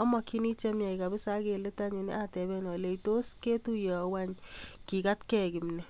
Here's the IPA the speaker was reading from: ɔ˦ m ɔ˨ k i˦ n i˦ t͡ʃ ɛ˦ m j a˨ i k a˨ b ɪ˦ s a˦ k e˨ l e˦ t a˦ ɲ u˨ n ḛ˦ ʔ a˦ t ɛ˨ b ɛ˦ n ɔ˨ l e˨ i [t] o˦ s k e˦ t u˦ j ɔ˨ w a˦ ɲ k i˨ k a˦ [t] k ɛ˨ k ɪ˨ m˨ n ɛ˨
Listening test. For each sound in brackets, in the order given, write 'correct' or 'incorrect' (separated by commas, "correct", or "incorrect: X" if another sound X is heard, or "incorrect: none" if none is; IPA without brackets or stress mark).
correct, correct